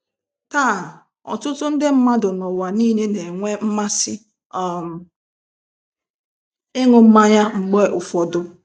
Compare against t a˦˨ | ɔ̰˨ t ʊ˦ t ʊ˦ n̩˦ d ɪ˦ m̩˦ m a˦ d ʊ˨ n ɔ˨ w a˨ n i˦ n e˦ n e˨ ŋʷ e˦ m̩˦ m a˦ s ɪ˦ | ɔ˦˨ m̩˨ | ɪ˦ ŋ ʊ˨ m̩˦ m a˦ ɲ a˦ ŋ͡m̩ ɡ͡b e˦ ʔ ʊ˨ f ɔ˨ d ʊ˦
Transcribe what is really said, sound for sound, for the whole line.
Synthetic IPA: t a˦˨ | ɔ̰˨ t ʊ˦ t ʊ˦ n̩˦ d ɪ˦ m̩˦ m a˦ d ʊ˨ n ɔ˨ w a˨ n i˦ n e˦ n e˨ ŋʷ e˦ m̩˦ m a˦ s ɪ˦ | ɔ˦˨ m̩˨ | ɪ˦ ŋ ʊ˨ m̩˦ m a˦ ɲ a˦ ŋ͡m̩ ɡ͡b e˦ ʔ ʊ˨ f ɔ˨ d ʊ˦